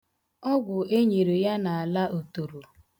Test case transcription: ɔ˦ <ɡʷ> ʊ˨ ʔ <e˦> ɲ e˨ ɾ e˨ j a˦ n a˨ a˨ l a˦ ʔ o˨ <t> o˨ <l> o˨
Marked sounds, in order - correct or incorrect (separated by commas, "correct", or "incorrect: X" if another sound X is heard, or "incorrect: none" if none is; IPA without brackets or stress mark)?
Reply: correct, correct, correct, incorrect: ɾ